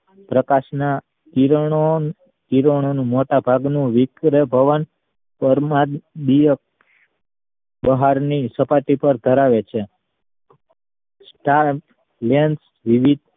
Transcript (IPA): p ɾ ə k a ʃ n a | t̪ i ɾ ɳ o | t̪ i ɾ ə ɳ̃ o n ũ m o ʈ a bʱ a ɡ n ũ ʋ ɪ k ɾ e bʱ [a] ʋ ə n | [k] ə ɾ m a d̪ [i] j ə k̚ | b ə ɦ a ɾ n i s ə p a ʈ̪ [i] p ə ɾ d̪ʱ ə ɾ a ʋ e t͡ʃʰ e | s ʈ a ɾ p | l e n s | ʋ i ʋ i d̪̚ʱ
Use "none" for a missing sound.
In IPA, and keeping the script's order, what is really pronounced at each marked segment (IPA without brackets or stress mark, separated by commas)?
ə, p, i, i